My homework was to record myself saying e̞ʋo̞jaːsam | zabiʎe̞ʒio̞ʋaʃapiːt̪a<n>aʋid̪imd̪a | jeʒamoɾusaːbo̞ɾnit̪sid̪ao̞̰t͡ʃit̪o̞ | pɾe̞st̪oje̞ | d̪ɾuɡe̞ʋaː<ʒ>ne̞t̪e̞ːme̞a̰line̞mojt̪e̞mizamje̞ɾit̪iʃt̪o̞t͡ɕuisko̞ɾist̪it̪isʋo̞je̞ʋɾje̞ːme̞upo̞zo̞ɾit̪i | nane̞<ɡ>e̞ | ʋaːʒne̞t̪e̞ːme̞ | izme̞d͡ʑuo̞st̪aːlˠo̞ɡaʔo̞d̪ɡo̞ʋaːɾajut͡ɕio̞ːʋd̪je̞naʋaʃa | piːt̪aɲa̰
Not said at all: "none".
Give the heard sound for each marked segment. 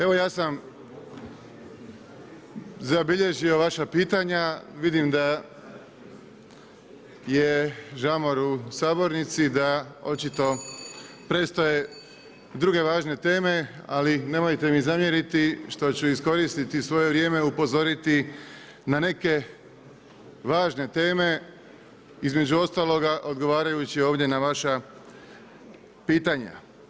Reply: ɲ, ʒ, k

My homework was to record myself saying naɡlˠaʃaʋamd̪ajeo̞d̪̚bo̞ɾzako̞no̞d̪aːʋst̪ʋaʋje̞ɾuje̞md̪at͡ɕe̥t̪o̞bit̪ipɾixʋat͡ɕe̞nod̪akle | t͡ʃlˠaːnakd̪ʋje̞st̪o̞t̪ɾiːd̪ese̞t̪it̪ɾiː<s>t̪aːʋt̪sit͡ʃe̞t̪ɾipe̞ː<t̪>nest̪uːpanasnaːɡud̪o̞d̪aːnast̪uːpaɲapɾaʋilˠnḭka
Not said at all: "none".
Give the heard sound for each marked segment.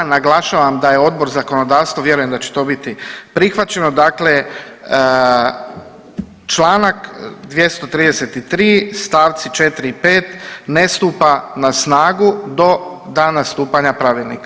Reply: s, t̪

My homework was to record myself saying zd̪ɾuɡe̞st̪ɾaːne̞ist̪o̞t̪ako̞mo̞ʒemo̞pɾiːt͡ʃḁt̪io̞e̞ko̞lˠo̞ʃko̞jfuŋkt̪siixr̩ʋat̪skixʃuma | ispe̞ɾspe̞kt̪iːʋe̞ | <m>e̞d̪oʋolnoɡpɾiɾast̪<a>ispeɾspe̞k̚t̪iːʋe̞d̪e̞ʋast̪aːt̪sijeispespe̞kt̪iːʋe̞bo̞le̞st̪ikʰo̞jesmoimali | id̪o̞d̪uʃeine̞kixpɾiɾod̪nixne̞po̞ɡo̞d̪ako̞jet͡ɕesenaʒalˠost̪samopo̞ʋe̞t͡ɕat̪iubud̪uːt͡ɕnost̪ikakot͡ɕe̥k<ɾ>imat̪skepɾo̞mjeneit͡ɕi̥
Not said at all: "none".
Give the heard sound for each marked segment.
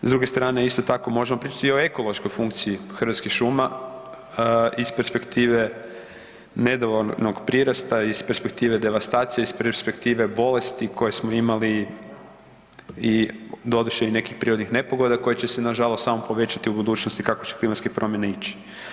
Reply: n, a, l

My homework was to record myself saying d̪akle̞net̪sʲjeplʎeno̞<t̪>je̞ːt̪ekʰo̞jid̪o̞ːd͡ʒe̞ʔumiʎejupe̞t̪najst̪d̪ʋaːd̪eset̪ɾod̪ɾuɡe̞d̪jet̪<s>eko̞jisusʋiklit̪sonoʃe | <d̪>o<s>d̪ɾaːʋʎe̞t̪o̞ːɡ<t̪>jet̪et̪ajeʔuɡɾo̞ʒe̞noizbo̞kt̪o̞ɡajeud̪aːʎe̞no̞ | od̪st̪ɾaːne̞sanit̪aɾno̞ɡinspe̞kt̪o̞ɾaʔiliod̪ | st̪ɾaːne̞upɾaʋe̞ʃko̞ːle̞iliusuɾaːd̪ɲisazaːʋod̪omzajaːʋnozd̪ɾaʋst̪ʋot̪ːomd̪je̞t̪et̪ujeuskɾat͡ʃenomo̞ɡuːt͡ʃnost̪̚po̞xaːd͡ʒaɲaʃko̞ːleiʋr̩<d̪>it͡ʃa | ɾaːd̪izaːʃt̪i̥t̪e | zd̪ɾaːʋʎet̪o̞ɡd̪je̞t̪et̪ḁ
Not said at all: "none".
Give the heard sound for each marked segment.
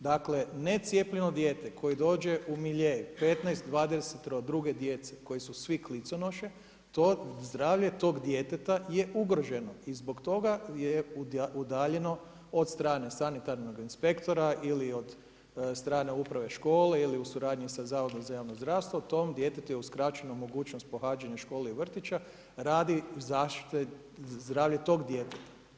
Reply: d̪, s, t̪, z, d̪, t̪

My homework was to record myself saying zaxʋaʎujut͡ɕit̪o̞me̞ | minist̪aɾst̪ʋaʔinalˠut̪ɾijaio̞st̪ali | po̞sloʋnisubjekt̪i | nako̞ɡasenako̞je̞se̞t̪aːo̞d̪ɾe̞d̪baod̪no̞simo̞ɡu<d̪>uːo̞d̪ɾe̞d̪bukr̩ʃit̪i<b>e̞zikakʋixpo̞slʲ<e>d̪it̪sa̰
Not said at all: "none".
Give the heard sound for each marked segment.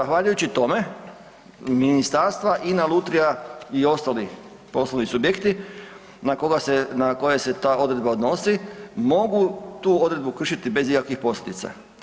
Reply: t̪, b, e

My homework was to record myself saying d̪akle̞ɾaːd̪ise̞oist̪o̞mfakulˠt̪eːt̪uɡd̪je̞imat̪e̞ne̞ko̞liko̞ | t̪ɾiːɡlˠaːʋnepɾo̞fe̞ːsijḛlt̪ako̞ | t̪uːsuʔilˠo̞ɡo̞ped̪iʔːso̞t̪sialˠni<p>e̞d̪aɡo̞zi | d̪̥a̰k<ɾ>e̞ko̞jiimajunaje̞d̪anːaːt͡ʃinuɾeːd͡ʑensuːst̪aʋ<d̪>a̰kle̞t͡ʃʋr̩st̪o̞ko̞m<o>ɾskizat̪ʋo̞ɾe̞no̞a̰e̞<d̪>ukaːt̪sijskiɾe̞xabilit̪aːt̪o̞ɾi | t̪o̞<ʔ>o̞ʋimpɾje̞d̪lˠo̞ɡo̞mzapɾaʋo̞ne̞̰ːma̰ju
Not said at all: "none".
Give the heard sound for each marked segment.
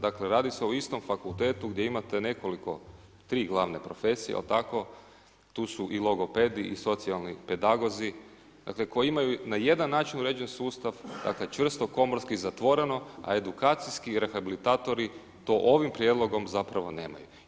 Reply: p, l, d̪, o, d̪, ʔ

